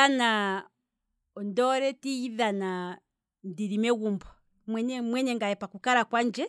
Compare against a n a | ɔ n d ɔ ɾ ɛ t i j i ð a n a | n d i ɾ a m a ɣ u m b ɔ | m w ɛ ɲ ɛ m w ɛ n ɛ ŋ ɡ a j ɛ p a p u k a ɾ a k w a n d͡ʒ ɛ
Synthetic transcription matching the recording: a n a | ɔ n d ɔ ɾ ɛ t i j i ð a n a | n d i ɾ i m ɛ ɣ u m b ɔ | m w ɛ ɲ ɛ m w ɛ ɲ ɛ ŋ ɡ a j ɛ p a k u k a ɾ a k w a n d͡ʒ ɛ